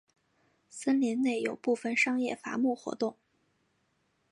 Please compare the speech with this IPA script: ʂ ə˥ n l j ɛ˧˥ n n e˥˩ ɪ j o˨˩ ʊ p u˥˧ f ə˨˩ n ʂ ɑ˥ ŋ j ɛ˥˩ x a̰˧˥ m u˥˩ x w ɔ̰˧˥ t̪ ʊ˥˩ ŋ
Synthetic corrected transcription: s ə˥ n l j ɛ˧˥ n n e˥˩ ɪ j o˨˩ ʊ p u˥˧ f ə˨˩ n ʂ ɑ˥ ŋ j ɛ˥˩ f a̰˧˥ m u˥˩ x w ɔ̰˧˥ t̪ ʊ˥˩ ŋ